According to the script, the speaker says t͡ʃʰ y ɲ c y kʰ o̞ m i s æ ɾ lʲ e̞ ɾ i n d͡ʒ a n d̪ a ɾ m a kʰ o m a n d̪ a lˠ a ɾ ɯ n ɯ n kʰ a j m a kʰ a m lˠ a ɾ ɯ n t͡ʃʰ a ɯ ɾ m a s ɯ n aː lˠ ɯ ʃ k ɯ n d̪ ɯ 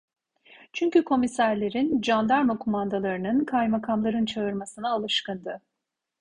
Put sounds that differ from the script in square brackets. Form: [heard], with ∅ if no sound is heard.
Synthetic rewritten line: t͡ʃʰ y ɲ c y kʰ o̞ m i s æ ɾ lʲ e̞ ɾ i n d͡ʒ a n d̪ a ɾ m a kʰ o m a n d̪ a lˠ a ɾ ɯ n ɯ n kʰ a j m a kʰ a m lˠ a ɾ ɯ n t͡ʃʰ a ɯ ɾ m a s ɯ n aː lˠ ɯ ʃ k ɯ n d̪ ɯ

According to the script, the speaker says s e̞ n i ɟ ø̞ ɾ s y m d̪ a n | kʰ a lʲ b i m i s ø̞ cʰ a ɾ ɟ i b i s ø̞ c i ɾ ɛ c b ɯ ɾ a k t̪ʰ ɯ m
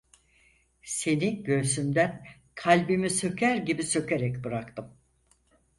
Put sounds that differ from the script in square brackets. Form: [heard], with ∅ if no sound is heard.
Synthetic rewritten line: s e̞ n i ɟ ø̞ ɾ s y m d̪ [æ] n | kʰ a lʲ b i m i s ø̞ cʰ [æ] ɾ ɟ i b i s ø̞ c [e] ɾ ɛ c b ɯ ɾ a k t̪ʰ ɯ m

